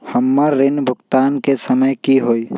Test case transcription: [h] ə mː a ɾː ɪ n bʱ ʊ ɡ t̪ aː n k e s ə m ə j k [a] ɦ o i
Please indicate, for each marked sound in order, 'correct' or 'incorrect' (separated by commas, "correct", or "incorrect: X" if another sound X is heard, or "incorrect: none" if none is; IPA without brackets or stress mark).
correct, incorrect: i